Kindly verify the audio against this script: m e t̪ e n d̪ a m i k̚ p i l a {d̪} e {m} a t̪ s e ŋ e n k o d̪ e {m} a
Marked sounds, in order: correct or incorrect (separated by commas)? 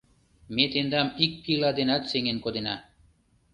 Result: correct, incorrect, incorrect